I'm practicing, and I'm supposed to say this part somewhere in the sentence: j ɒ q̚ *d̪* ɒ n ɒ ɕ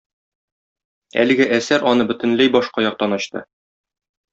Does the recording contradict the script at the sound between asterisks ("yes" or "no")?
yes